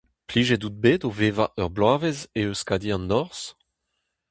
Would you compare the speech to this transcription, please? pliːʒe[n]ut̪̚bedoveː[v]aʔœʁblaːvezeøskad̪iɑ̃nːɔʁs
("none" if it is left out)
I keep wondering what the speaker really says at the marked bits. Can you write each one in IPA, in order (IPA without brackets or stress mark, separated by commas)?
d, v